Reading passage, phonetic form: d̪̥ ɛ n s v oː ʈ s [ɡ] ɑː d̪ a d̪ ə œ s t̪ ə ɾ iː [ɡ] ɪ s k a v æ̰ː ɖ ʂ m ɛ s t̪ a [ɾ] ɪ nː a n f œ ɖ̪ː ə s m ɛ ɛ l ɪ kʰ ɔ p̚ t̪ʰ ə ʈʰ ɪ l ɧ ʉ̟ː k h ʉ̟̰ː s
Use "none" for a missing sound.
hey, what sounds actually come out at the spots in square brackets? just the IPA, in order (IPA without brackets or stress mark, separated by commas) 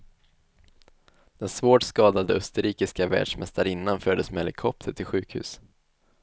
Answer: k, k, ɾ